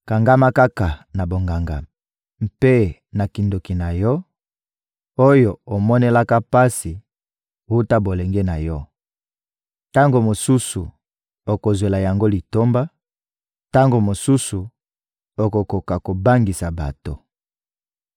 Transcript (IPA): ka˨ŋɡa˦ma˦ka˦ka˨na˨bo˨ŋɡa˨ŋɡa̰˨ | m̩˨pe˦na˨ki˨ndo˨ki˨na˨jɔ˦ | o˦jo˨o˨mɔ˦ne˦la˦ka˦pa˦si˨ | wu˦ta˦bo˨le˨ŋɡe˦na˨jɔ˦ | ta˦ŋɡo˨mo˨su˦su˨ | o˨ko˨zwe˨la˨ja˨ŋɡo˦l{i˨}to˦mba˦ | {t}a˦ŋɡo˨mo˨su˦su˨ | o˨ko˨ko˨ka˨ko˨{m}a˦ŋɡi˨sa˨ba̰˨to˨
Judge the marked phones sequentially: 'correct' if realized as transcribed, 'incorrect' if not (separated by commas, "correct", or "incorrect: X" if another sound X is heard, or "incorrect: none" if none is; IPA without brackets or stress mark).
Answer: correct, correct, incorrect: b